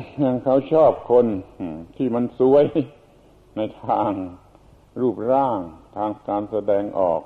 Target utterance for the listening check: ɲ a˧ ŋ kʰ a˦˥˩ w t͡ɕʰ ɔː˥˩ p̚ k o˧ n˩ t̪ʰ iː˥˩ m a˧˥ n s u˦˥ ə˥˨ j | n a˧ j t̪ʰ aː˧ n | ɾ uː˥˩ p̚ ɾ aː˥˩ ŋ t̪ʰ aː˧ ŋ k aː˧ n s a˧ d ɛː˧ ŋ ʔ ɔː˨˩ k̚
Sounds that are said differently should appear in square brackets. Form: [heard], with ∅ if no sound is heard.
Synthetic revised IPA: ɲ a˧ ŋ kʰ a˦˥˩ w t͡ɕʰ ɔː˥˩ p̚ [kʰ] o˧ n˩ t̪ʰ iː˥˩ m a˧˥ n s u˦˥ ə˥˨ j | n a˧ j t̪ʰ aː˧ [ŋ] | ɾ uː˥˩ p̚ ɾ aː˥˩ ŋ t̪ʰ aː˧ ŋ k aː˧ n s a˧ d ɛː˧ ŋ ʔ ɔː˨˩ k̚